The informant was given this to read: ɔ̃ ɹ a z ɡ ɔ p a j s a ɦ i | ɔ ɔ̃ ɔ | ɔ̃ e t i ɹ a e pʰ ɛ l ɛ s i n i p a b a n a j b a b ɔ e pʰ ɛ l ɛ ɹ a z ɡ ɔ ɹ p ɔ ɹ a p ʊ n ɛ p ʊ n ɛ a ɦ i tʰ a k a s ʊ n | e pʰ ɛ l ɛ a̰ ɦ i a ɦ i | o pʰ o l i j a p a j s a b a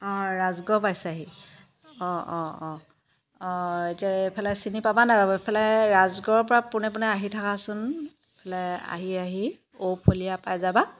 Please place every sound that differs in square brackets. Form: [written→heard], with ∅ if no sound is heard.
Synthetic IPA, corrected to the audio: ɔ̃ ɹ a z ɡ ɔ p a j s a ɦ i | ɔ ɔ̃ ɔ | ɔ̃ e t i [ɹ→∅] a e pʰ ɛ l ɛ s i n i p a b a n a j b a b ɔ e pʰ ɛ l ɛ ɹ a z ɡ ɔ ɹ p ɔ ɹ a p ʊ n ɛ p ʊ n ɛ a ɦ i tʰ a k a s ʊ n | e pʰ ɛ l ɛ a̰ ɦ i a ɦ i | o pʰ o l i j a p a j [s→z] a b a

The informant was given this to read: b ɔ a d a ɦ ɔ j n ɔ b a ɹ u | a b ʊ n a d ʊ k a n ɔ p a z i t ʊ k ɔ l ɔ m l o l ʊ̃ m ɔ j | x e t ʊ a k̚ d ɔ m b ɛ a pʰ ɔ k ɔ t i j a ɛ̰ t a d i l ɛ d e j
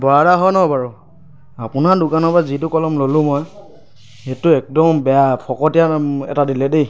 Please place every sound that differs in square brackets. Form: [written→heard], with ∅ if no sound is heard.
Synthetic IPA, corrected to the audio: b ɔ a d a ɦ ɔ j n ɔ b a ɹ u | a [b→p] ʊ n a d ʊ k a n ɔ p a z i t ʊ k ɔ l ɔ m l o l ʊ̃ m ɔ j | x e t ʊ [a→ɛ] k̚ d ɔ m b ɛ a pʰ ɔ k ɔ t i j a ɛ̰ t a d i l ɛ d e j

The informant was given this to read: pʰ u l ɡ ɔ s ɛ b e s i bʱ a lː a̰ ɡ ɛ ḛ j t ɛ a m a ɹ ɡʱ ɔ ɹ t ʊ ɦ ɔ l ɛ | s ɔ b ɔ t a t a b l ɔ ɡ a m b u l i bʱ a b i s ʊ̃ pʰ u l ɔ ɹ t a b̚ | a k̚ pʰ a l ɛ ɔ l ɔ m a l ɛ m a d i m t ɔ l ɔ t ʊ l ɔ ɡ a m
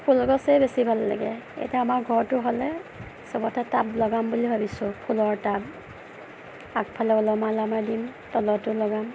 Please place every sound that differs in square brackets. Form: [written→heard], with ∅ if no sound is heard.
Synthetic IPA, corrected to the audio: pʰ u l ɡ ɔ s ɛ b e s i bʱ a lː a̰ ɡ ɛ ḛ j t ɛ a m a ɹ ɡʱ ɔ ɹ t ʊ ɦ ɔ l ɛ | s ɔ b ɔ t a t a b l ɔ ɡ a m b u l i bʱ a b i s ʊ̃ pʰ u l ɔ ɹ t a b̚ | a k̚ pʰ a l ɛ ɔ l ɔ m a l [ɛ→a] m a d i m t ɔ l ɔ t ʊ l ɔ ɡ a m

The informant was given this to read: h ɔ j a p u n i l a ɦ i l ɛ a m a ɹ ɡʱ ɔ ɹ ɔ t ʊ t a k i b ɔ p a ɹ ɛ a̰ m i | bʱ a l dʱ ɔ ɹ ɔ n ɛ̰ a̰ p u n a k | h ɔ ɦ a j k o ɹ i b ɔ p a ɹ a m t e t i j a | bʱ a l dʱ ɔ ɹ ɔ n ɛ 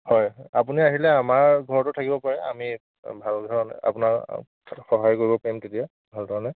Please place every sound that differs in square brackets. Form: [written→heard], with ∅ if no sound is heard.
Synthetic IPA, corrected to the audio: h ɔ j a p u n i [l→∅] a ɦ i l ɛ a m a ɹ ɡʱ ɔ ɹ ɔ t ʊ [t→tʰ] a k i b ɔ p a ɹ ɛ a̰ m i | bʱ a l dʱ ɔ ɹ ɔ n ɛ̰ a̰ p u n a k | [h→x] ɔ ɦ a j k o ɹ i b ɔ p a ɹ [a→i] m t e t i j a | bʱ a l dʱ ɔ ɹ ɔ n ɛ

